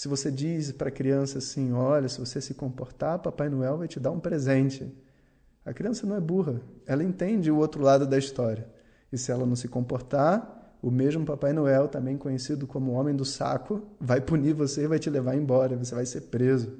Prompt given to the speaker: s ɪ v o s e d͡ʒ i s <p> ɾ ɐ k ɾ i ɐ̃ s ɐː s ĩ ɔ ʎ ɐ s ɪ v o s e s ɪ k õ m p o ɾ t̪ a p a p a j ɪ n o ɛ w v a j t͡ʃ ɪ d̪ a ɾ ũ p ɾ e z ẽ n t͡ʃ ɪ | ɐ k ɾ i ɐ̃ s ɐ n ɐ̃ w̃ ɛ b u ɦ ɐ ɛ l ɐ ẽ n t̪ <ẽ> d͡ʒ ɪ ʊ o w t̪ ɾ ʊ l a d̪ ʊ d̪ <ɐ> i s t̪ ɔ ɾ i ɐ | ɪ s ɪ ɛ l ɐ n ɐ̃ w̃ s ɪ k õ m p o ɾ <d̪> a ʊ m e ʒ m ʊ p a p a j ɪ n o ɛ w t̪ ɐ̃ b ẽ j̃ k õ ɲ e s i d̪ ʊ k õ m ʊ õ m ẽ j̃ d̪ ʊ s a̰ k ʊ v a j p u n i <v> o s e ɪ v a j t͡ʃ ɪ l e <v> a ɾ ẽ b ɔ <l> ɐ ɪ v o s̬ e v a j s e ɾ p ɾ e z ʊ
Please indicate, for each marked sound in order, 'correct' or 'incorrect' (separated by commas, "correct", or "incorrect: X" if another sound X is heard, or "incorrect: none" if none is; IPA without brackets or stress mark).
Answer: correct, correct, correct, incorrect: t̪, correct, correct, incorrect: ɾ